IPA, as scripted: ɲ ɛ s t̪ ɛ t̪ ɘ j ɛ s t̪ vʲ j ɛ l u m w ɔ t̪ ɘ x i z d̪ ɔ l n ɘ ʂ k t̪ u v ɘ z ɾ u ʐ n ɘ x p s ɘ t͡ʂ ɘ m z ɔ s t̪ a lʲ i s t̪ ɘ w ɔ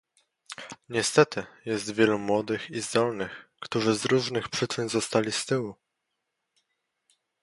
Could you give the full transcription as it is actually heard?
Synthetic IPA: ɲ ɛ s t̪ ɛ t̪ ɘ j ɛ s t̪ vʲ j ɛ l u m w ɔ d̪ ɘ x i z d̪ ɔ l n ɘ x k t̪ u ʐ ɘ z ɾ u ʐ n ɘ x p ʂ ɘ t͡ʂ ɘ n z ɔ s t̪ a lʲ i s t̪ ɘ w u